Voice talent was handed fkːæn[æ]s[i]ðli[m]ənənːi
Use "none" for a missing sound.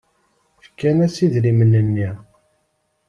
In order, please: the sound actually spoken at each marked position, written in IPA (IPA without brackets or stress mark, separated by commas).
æ, i, m